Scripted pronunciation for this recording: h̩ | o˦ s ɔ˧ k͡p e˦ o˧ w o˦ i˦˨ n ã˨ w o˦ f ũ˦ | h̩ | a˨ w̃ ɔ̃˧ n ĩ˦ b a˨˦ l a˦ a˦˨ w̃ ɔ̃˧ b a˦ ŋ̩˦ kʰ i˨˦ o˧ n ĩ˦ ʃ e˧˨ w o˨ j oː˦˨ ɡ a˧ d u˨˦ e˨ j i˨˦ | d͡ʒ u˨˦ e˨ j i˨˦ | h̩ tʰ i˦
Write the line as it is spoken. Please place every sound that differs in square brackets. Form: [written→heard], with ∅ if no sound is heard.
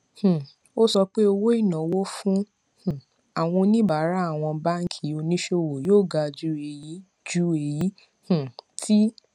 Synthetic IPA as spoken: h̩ | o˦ s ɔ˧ k͡p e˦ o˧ w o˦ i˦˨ n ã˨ w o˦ f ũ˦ | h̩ | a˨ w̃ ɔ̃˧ n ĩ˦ b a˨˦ [l→ɾ] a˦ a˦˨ w̃ ɔ̃˧ b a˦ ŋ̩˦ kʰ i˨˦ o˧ n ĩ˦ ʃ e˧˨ w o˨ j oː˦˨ ɡ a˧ [d→d͡ʒ] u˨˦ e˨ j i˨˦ | d͡ʒ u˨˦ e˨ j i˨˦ | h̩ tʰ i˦

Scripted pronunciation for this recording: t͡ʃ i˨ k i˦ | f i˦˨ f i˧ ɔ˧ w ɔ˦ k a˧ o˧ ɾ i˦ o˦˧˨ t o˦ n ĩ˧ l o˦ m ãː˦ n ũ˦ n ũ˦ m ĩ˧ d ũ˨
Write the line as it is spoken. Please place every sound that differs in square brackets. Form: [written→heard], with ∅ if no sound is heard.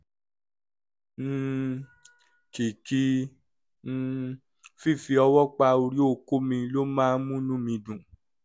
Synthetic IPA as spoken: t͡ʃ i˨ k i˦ | f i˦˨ f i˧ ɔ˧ w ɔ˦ [k→k͡p] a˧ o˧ ɾ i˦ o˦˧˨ [t→k] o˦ [n→m] ĩ˧ l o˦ m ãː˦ [n→m] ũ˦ n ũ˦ m ĩ˧ d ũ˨

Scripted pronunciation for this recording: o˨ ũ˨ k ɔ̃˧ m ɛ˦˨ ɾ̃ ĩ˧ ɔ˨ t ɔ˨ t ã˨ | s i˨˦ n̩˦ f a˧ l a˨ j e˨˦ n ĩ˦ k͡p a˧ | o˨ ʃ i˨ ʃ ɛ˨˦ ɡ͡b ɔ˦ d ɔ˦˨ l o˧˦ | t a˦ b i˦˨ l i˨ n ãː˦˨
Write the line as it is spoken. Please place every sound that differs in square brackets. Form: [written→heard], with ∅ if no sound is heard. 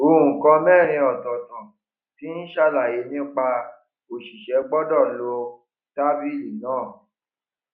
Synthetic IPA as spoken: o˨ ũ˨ k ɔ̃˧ m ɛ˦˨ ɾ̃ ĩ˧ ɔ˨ t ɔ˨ t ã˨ | [s→t] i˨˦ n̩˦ [f→ʃ] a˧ l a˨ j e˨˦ n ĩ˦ k͡p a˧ | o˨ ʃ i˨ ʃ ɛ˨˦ ɡ͡b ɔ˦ d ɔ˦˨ l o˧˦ | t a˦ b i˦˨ l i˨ n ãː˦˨

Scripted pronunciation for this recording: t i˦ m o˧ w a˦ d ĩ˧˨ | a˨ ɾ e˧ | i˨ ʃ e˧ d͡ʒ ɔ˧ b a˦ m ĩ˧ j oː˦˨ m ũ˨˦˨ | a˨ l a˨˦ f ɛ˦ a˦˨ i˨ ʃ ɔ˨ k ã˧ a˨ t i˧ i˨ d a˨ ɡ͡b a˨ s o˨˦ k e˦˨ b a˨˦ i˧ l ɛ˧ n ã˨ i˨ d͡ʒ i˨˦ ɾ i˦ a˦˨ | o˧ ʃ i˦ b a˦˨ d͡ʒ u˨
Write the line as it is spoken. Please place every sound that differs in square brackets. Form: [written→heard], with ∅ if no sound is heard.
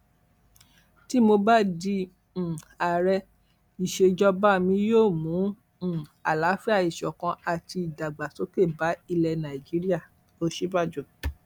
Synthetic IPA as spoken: t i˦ m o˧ [w→b] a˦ d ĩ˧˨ | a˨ ɾ [e˧→ɛ˧] | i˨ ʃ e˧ d͡ʒ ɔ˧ b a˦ m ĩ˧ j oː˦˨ m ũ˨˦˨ | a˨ l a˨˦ f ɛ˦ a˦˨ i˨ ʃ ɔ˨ k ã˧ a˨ t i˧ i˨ d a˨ ɡ͡b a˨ s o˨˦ k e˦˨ b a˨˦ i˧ l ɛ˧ n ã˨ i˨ d͡ʒ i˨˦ ɾ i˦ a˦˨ | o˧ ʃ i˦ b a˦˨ d͡ʒ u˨

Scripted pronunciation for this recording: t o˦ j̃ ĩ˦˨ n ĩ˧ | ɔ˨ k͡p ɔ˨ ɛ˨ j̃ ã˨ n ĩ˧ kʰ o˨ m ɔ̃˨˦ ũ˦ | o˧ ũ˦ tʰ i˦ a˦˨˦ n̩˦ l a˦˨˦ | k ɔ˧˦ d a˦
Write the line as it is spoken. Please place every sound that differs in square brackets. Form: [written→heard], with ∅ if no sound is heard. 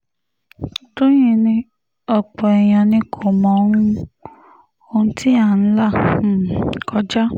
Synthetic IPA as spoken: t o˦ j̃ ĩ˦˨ n ĩ˧ | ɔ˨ k͡p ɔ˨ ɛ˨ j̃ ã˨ n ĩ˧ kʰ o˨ m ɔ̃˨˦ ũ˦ | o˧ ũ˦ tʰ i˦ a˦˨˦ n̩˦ l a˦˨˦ | k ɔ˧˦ [d→d͡ʒ] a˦

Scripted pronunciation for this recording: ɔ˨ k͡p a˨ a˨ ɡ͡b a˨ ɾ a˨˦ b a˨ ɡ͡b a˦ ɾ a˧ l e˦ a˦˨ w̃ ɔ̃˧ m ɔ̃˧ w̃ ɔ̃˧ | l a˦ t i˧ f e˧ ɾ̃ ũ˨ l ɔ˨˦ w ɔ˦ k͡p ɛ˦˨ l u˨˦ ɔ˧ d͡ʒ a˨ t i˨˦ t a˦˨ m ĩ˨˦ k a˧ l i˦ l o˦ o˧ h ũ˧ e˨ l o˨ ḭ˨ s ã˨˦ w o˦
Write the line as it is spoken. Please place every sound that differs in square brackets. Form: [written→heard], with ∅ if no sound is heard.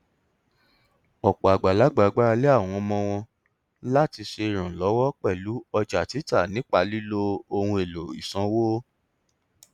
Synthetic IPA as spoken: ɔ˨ k͡p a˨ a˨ ɡ͡b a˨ [ɾ→l] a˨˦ [b→ɡ͡b] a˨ ɡ͡b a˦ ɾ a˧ l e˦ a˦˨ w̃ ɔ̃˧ m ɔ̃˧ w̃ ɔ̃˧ | l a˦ t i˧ [f→ʃ] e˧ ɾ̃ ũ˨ l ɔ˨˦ w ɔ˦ k͡p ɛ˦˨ l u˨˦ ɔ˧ d͡ʒ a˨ t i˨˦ t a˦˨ [m→n] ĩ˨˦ [k→k͡p] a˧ l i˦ l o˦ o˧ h ũ˧ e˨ l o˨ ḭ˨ s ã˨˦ w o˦

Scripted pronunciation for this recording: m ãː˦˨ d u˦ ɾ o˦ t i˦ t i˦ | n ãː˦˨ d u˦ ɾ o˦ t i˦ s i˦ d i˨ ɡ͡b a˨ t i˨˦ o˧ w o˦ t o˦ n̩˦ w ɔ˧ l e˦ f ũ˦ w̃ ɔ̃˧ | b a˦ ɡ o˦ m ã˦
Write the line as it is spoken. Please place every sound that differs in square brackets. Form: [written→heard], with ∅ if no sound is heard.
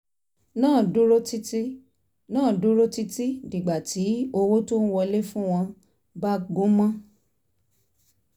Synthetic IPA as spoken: [m→n] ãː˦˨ d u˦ ɾ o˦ t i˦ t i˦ | n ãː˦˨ d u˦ ɾ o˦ t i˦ [s→t] i˦ d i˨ ɡ͡b a˨ t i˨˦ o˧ w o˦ t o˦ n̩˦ w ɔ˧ l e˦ f ũ˦ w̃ ɔ̃˧ | b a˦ ɡ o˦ m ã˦

